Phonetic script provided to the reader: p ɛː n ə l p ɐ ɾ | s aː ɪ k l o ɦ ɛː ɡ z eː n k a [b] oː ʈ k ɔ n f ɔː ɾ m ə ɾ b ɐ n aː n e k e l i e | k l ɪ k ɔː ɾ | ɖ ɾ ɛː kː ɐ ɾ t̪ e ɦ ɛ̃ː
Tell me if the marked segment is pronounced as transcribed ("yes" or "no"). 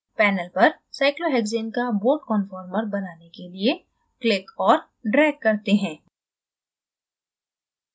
yes